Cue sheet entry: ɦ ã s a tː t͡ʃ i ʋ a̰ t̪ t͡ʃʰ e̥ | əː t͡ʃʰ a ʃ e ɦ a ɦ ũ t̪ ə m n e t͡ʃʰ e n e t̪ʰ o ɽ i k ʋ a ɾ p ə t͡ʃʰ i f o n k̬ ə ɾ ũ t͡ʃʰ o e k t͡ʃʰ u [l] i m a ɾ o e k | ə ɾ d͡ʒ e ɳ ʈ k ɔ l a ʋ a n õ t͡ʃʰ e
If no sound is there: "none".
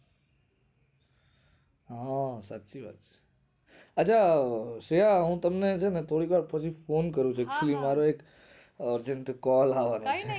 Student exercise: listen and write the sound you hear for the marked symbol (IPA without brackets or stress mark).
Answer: l